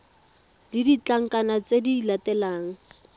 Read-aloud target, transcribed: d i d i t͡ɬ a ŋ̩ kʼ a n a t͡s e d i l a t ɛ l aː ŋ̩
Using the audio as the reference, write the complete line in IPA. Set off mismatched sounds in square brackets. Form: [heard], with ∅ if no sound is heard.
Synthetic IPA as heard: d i d i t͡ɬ a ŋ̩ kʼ a n a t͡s e d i l a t ɛ l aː ŋ̩